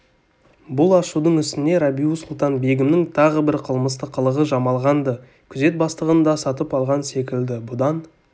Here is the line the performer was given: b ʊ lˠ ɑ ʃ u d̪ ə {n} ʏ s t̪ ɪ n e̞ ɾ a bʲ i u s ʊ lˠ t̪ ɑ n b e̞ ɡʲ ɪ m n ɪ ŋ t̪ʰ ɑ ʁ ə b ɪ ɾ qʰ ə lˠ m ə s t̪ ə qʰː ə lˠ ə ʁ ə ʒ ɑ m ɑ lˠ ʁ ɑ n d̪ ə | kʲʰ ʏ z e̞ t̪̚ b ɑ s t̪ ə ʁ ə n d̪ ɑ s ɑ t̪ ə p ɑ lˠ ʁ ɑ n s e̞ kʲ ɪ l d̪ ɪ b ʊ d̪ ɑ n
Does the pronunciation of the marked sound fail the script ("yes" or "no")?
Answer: yes